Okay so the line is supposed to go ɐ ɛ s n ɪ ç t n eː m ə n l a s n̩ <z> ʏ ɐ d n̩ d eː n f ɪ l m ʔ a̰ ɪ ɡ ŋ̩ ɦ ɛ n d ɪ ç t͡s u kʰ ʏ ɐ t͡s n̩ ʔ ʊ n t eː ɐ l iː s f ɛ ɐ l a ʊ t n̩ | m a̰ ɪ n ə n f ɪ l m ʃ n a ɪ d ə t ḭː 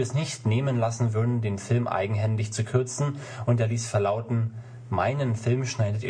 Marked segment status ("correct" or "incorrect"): incorrect